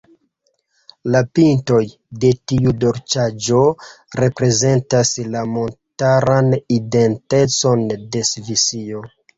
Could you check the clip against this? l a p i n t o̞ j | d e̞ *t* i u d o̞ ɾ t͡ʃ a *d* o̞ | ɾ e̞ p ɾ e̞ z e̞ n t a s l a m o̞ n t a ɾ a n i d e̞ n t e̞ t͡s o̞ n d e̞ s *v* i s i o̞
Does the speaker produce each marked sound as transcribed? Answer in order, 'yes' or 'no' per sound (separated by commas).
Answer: yes, no, yes